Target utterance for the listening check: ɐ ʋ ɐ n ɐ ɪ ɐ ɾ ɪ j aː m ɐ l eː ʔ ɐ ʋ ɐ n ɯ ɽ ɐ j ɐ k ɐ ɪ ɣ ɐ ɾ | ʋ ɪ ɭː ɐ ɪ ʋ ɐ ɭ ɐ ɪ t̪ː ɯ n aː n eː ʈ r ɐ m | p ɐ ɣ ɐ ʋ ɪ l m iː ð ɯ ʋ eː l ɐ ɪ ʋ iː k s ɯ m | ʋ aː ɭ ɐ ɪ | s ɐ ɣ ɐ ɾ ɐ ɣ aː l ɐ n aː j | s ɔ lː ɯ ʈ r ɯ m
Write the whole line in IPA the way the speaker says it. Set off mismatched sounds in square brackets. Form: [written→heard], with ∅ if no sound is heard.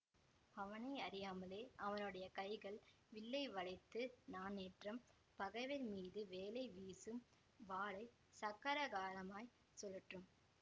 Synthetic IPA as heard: ɐ ʋ ɐ n ɐ ɪ ɐ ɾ ɪ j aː m ɐ l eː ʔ ɐ ʋ ɐ n ɯ ɽ ɐ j ɐ k ɐ ɪ ɣ ɐ [ɾ→ɭ] | ʋ ɪ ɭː ɐ ɪ ʋ ɐ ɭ ɐ ɪ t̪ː ɯ n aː n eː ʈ r ɐ m | p ɐ ɣ ɐ ʋ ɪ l m iː ð ɯ ʋ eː l ɐ ɪ ʋ iː [k→∅] s ɯ m | ʋ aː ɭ ɐ ɪ | s ɐ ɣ ɐ ɾ ɐ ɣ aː l ɐ [n→m] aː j | s ɔ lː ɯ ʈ r ɯ m